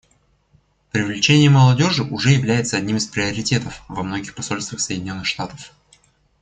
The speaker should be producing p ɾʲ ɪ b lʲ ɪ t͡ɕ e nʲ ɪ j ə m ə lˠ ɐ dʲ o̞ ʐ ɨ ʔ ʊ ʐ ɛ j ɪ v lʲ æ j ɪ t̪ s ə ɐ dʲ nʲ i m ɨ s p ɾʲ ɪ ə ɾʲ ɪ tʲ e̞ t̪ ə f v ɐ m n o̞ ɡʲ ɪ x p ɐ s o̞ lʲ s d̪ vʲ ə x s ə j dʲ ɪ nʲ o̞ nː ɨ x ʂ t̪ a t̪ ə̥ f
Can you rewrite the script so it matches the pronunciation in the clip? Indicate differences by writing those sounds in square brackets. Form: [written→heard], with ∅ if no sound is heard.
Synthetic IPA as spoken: p ɾʲ ɪ [b→v] lʲ ɪ t͡ɕ e nʲ ɪ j ə m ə lˠ ɐ dʲ o̞ ʐ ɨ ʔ ʊ ʐ ɛ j ɪ v lʲ æ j ɪ t̪ s ə ɐ dʲ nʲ i m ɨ s p ɾʲ ɪ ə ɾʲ ɪ tʲ e̞ t̪ ə f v ɐ m n o̞ ɡʲ ɪ x p ɐ s o̞ lʲ s [d̪→t̪] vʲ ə x s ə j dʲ ɪ nʲ o̞ nː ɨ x ʂ t̪ a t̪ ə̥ f